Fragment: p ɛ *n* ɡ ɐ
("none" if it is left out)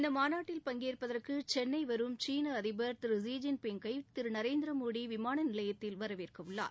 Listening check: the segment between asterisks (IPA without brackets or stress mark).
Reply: ŋ